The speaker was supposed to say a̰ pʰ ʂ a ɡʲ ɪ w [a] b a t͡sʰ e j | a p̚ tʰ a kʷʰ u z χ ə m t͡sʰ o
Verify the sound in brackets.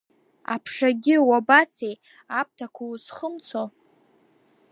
correct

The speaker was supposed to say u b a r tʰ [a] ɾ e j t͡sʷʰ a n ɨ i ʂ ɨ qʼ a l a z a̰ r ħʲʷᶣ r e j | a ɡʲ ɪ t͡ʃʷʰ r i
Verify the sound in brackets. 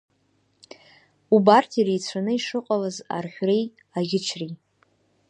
incorrect: i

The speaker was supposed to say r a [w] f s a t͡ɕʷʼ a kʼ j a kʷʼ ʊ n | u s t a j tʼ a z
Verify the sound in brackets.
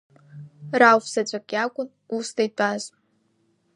correct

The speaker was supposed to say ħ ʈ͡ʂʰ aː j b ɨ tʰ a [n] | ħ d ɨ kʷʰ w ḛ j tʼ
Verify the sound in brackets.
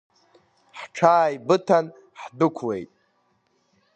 correct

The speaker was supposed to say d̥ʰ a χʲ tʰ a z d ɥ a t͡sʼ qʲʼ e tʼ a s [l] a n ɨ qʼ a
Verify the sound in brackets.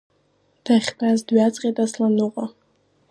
correct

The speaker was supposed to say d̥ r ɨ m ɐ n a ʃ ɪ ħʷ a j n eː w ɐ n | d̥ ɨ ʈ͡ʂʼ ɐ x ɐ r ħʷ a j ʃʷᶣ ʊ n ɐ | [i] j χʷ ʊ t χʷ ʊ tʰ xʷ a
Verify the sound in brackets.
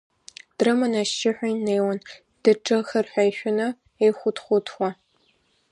incorrect: e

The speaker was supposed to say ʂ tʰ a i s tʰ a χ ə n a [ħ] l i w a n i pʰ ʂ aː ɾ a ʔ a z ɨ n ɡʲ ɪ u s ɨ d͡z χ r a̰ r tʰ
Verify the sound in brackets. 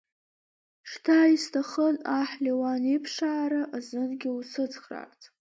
correct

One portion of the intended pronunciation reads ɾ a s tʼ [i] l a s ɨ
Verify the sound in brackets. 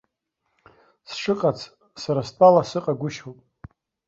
incorrect: a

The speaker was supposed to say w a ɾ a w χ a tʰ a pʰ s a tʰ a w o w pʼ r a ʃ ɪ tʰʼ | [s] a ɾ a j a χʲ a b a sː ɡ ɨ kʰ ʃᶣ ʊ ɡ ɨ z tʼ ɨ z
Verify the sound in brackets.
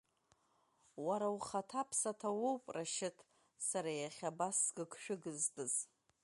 correct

